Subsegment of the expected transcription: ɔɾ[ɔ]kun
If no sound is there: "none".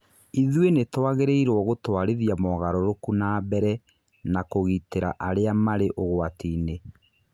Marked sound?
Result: o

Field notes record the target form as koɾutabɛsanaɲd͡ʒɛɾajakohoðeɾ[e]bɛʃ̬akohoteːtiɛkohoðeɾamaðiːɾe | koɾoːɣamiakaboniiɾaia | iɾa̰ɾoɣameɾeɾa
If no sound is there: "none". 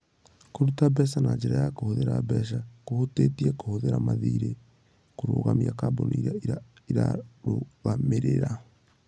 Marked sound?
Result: a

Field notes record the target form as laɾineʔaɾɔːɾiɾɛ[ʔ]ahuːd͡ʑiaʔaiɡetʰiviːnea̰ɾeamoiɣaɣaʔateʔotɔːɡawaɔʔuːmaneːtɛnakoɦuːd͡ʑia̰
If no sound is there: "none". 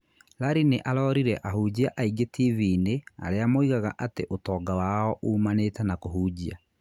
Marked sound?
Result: ʔ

